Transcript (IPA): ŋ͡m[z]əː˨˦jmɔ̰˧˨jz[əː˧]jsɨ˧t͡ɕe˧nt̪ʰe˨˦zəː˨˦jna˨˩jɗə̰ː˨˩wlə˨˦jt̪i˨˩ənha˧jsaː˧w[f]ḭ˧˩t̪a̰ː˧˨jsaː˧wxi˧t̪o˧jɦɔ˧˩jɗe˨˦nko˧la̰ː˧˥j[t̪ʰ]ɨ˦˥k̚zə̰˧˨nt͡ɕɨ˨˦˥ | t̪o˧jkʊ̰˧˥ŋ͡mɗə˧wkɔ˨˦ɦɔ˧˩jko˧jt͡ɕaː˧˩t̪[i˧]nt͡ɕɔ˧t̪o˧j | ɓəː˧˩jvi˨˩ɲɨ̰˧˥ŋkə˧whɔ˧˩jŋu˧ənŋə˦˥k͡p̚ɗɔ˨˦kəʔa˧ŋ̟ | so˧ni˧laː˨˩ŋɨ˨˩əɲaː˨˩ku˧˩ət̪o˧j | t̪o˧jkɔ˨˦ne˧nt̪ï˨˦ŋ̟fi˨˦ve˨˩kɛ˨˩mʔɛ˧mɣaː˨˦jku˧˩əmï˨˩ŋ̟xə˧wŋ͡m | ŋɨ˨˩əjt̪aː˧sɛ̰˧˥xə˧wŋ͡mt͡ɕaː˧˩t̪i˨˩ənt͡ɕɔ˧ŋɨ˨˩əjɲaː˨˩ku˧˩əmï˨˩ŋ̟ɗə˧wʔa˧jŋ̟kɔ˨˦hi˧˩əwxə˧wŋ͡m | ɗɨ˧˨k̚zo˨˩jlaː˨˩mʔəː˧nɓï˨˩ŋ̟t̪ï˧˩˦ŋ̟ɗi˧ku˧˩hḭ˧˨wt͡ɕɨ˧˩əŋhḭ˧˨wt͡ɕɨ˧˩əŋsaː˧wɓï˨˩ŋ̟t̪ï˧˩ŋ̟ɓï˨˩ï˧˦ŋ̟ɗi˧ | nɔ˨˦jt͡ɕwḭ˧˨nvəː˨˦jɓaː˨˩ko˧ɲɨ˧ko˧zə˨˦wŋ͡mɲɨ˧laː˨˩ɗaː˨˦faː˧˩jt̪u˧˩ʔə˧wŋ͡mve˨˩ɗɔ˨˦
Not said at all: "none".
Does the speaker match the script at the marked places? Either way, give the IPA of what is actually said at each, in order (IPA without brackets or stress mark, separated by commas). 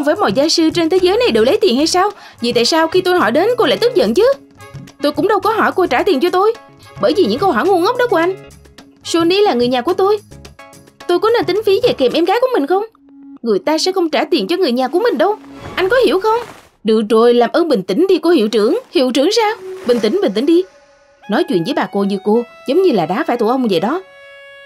v, aː˧, v, t̪, i˨˩